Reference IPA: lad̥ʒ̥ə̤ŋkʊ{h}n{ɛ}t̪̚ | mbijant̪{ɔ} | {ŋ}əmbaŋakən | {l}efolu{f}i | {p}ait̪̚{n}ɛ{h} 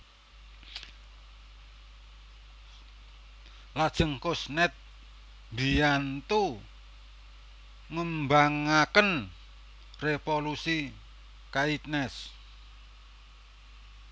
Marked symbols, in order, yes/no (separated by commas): no, yes, no, yes, no, no, no, yes, no